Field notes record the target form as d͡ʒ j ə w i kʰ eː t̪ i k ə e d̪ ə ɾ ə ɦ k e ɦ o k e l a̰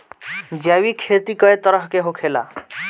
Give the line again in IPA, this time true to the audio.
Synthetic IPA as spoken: d͡ʒ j a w i kʰ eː t̪ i k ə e t̪ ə ɾ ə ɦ k e ɦ o kʰ e l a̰